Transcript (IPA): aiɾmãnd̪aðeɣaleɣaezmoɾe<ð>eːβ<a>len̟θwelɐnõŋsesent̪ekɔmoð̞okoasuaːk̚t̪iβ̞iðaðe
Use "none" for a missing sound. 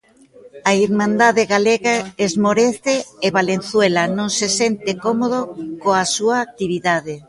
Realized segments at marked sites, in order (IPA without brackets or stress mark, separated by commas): θ, a